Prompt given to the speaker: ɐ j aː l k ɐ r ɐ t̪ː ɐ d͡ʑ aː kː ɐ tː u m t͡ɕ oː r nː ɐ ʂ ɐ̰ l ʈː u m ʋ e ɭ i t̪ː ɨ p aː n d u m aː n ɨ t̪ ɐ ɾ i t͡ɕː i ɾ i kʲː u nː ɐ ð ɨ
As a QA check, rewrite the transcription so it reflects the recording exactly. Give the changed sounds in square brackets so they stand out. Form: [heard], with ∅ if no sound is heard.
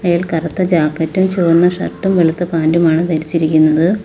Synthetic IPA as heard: ɐ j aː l k ɐ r ɐ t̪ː ɐ d͡ʑ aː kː ɐ tː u m t͡ɕ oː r nː ɐ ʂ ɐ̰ [r] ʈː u m ʋ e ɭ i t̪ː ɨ p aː n d u m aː [ɳ] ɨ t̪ ɐ ɾ i t͡ɕː i ɾ i kʲː u nː ɐ ð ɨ